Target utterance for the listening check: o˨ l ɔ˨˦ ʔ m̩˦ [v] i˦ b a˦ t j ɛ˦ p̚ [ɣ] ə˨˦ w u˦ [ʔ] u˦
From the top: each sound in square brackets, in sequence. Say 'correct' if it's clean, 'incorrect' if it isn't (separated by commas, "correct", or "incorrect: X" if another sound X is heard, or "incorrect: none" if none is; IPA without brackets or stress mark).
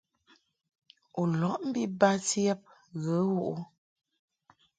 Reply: incorrect: b, correct, correct